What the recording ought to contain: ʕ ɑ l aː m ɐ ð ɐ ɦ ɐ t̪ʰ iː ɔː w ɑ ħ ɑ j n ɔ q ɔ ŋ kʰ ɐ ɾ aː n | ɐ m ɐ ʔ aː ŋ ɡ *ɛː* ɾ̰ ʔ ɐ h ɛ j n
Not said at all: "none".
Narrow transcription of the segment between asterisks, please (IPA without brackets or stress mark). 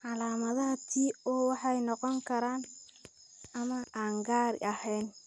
aː